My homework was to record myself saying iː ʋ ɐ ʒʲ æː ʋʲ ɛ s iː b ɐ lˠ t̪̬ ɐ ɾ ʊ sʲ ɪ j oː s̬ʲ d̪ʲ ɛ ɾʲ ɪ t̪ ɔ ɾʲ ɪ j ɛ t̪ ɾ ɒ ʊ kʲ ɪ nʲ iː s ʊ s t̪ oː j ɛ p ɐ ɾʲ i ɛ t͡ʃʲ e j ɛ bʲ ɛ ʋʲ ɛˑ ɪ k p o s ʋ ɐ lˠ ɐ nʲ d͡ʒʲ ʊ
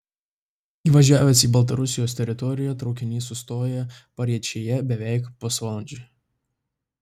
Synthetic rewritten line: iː ʋ ɐ ʒʲ æː ʋʲ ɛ s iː b ɐ lˠ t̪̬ ɐ ɾ ʊ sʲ ɪ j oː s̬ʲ t̪ʲ ɛ ɾʲ ɪ t̪ ɔ ɾʲ ɪ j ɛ t̪ ɾ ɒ ʊ kʲ ɪ nʲ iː s ʊ s t̪ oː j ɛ p ɐ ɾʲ i ɛ t͡ʃʲ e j ɛ bʲ ɛ ʋʲ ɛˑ ɪ k p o s ʋ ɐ lˠ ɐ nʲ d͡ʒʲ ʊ